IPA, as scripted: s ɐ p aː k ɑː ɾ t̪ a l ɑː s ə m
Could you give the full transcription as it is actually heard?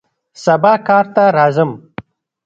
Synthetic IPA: s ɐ b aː k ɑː ɾ t̪ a ɾ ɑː z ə m